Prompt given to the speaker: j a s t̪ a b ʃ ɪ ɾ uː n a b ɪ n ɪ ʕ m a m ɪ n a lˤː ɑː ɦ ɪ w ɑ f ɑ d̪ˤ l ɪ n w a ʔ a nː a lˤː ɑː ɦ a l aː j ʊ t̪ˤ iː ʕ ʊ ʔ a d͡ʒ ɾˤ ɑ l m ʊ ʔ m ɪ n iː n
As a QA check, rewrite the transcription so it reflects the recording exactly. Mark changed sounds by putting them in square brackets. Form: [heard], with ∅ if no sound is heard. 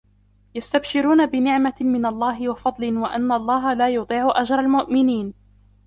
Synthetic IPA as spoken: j a s t̪ a b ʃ ɪ ɾ uː n a b ɪ n ɪ ʕ m a m ɪ n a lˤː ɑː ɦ ɪ w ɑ f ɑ d̪ˤ l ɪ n w a ʔ a nː a lˤː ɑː ɦ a l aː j ʊ t̪ˤ iː ʕ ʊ ʔ a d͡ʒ ɾˤ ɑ l m ʊ ʔ m ɪ n iː n